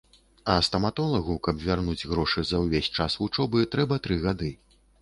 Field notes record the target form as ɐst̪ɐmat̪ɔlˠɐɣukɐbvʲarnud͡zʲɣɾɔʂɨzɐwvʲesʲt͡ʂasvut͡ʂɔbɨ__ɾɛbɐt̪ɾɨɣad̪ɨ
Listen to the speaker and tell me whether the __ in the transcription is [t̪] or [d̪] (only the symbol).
t̪